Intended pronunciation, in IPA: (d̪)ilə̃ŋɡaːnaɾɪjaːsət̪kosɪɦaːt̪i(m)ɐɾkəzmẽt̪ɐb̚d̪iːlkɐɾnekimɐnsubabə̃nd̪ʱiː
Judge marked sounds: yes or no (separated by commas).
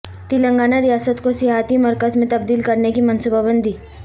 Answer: no, yes